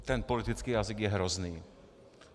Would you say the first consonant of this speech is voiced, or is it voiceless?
voiceless